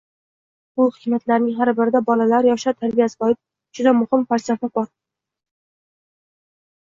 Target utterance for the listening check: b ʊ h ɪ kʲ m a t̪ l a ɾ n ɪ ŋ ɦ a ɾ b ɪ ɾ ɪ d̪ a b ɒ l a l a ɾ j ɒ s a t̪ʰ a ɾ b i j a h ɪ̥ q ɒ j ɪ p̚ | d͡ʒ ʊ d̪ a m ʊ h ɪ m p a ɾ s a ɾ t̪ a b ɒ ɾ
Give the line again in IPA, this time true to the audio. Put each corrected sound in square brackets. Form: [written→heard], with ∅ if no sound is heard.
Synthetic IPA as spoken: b ʊ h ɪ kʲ m a t̪ l a ɾ n ɪ ŋ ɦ a ɾ b ɪ ɾ ɪ d̪ a b ɒ l a l a ɾ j ɒ [s→ʃ] a t̪ʰ a ɾ b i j a [h→s] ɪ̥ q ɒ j ɪ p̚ | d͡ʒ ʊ d̪ a m ʊ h ɪ m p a ɾ s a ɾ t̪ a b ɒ ɾ

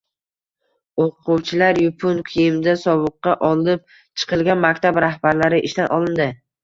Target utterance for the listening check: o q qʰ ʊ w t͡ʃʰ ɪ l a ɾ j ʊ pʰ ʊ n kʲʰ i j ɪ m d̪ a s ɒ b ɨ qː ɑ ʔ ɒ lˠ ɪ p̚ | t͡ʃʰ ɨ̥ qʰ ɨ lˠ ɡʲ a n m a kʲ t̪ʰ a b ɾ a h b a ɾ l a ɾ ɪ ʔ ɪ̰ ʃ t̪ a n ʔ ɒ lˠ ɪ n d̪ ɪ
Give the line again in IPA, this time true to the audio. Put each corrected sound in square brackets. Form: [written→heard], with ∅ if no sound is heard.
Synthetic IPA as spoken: o q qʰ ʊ w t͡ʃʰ ɪ l a ɾ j ʊ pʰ ʊ n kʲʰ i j ɪ m d̪ a s ɒ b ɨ qː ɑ ʔ ɒ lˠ ɪ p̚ | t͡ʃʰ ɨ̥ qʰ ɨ lˠ ɡʲ a n m a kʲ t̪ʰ a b ɾ a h b a ɾ l a ɾ ɪ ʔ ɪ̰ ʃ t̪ a n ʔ ɒ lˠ ɪ n d̪ ɪ

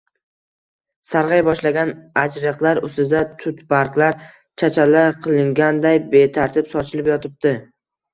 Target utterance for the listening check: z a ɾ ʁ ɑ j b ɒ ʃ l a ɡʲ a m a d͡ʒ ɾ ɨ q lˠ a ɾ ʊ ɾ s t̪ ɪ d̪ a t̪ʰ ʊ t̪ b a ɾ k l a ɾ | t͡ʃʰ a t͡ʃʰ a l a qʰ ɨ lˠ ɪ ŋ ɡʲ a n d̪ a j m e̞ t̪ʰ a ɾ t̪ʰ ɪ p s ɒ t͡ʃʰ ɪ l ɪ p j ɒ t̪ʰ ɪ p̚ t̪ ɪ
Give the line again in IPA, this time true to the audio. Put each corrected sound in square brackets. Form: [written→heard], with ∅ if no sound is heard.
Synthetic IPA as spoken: [z→s] a ɾ ʁ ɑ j b ɒ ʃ l a ɡʲ a [m→n] a d͡ʒ ɾ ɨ q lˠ a ɾ ʊ [ɾ→∅] s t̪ ɪ d̪ a t̪ʰ ʊ t̪ b a ɾ k l a ɾ | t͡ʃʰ a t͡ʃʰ a l a qʰ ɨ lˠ ɪ ŋ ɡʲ a n d̪ a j [m→b] e̞ t̪ʰ a ɾ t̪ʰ ɪ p s ɒ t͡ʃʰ ɪ l ɪ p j ɒ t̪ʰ ɪ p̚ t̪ ɪ

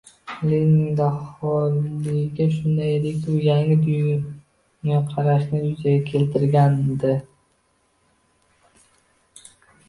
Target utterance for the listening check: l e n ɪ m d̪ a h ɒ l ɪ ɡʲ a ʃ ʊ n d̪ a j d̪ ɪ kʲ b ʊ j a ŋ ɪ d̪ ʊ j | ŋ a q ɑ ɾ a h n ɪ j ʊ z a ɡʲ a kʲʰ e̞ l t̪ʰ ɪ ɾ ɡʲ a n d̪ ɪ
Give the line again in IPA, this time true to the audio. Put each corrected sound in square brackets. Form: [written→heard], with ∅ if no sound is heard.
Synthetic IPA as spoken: l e n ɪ [m→ŋ] d̪ a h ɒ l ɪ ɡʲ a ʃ ʊ n d̪ a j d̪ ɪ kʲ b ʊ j a ŋ ɪ d̪ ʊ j | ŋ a [q→qʰ] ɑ ɾ a [h→ʃ] n ɪ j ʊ z a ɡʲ a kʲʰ e̞ l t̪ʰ ɪ ɾ ɡʲ a n d̪ ɪ

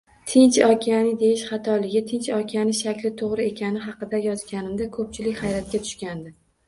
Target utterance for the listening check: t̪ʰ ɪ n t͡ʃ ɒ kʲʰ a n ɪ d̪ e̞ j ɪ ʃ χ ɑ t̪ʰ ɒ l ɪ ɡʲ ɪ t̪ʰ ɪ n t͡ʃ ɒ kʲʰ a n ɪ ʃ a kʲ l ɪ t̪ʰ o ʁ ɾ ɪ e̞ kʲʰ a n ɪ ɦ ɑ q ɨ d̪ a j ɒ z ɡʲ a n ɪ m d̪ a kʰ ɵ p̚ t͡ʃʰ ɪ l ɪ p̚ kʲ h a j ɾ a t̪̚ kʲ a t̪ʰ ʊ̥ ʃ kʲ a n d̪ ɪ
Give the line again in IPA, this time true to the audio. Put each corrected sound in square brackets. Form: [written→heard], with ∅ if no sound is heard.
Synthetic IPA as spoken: t̪ʰ ɪ n t͡ʃ ɒ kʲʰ a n ɪ d̪ e̞ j ɪ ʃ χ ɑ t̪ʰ ɒ l ɪ ɡʲ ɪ t̪ʰ ɪ n t͡ʃ ɒ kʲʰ a n ɪ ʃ a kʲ l ɪ t̪ʰ o ʁ ɾ ɪ e̞ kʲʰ a n ɪ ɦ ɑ q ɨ d̪ a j ɒ z ɡʲ a n ɪ m d̪ a kʰ ɵ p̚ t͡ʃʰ ɪ l ɪ [p̚→∅] kʲ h a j ɾ a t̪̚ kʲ a t̪ʰ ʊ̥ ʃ kʲ a n d̪ ɪ

